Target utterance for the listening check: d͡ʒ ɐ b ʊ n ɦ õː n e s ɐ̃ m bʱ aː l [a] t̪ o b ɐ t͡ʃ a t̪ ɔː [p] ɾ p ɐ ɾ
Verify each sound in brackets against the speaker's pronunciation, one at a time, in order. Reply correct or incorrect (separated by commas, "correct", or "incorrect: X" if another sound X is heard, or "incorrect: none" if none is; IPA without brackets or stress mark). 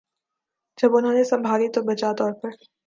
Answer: incorrect: i, incorrect: none